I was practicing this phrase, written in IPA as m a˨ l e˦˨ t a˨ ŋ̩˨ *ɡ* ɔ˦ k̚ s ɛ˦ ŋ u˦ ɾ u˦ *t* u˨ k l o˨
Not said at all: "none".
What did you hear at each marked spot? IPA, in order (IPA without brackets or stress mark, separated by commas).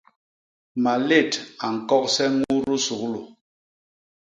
k, s